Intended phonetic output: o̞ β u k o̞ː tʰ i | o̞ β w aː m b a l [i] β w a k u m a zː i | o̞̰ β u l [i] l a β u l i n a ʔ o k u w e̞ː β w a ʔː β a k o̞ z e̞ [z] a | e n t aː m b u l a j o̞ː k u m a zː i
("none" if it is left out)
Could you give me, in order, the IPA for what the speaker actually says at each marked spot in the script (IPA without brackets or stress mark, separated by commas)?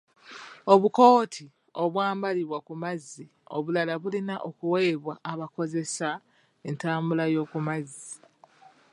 i, a, s